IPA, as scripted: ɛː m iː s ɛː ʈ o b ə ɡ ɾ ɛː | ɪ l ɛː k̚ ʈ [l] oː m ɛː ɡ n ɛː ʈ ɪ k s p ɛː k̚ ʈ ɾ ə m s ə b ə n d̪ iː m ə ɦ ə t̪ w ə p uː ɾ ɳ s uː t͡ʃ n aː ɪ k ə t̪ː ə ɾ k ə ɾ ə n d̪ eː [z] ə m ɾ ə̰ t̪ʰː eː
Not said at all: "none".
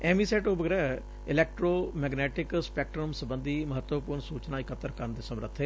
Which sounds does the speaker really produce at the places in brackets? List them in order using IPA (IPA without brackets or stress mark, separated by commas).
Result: ɾ, s